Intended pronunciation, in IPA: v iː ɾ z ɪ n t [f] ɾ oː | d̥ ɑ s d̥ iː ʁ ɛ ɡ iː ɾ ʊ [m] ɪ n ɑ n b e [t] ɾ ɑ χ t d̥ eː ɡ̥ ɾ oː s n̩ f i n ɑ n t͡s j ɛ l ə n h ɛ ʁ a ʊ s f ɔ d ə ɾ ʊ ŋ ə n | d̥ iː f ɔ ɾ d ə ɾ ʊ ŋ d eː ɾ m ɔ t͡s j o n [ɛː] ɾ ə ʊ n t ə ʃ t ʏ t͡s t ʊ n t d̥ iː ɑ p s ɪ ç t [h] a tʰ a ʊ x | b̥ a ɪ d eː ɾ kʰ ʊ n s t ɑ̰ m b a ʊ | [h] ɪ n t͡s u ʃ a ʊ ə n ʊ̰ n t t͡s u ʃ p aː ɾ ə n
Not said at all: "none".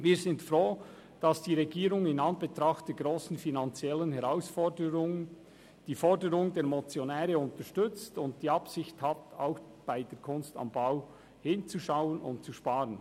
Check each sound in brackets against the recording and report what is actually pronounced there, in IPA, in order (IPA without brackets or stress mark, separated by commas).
f, ŋ, t, ɛː, h, h